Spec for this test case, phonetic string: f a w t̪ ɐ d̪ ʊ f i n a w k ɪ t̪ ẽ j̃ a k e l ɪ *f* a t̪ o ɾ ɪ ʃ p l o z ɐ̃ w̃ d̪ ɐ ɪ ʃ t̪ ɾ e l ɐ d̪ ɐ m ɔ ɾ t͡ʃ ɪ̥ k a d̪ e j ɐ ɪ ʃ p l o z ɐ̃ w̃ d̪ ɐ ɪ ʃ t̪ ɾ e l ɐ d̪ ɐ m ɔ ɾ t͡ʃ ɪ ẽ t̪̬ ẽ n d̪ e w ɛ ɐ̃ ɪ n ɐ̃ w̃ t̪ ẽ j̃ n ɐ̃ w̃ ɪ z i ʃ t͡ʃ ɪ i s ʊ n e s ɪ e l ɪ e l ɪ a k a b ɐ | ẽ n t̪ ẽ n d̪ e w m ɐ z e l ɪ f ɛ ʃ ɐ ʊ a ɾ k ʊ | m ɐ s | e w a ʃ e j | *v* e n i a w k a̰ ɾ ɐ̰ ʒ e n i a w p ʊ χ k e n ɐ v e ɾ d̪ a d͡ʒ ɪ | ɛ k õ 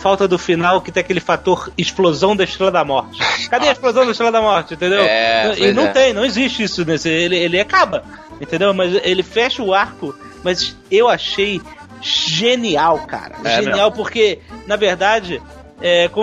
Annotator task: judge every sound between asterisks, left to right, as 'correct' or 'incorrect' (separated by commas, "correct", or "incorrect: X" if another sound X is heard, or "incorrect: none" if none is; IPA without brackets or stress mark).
correct, incorrect: ʒ